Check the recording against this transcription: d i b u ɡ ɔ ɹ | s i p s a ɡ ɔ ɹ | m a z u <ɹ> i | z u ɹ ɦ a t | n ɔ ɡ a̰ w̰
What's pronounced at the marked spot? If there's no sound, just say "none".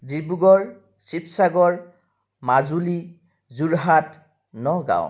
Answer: l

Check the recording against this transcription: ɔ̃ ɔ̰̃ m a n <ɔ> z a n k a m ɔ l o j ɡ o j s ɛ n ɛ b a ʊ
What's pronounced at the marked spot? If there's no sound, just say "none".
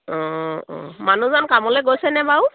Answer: u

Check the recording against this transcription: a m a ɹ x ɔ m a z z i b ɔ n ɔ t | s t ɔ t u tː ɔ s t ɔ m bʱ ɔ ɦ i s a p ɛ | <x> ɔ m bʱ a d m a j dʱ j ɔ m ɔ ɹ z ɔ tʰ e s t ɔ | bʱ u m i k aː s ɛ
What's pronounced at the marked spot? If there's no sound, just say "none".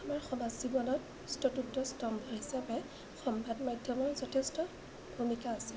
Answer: x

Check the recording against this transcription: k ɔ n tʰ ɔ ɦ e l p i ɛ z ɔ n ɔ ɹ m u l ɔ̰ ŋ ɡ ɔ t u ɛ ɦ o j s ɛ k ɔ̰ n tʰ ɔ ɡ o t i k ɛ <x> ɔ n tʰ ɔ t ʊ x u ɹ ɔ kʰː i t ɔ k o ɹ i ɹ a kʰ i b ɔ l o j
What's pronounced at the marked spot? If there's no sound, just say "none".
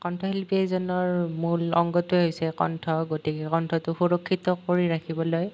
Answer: k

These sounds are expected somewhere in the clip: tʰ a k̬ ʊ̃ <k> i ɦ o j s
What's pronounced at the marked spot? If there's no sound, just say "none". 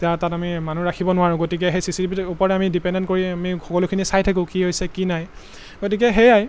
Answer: k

